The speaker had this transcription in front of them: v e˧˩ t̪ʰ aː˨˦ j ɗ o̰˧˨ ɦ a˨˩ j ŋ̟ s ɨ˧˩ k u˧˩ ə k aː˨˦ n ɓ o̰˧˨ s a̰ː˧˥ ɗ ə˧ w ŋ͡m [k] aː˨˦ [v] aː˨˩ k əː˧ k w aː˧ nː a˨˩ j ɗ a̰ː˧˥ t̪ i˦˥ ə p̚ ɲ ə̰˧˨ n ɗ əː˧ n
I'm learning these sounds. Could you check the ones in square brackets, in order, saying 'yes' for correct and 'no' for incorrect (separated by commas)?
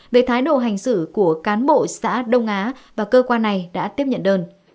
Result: no, yes